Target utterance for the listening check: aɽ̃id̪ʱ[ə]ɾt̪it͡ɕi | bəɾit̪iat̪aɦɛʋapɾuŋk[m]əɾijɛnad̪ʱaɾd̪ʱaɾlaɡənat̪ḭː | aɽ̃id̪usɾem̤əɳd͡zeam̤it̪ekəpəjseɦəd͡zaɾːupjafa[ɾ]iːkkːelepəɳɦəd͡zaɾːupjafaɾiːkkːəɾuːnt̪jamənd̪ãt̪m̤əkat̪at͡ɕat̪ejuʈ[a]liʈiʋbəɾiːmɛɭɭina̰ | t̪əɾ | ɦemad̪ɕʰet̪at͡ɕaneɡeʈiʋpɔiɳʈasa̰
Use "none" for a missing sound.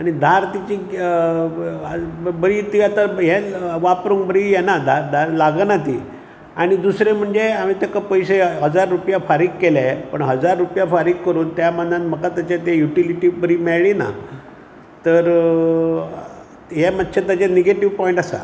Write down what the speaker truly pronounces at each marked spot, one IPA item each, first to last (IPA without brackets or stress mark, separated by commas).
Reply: a, b, ɾ, i